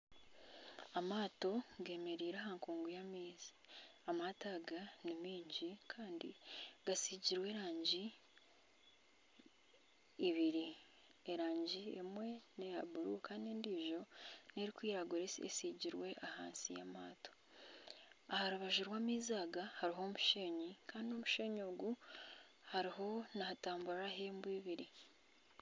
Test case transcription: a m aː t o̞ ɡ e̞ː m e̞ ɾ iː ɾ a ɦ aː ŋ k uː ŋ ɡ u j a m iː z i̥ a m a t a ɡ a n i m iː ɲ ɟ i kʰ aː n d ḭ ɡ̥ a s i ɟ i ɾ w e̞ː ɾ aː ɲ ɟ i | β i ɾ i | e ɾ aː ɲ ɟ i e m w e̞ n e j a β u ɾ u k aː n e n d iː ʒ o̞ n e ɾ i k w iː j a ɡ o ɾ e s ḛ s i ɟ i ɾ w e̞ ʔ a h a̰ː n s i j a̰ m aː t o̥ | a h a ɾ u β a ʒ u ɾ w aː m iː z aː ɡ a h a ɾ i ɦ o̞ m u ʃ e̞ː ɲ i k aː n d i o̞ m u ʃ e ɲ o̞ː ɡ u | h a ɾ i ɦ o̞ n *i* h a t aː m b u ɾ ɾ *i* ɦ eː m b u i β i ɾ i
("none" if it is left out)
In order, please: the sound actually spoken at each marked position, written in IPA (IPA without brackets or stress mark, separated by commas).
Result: a, a